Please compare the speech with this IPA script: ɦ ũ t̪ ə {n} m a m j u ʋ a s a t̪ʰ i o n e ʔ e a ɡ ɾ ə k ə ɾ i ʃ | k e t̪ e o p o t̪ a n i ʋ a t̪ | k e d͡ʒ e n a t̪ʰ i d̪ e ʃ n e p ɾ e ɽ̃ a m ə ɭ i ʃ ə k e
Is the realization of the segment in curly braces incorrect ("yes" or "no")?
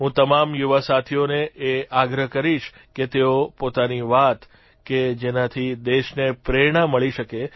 yes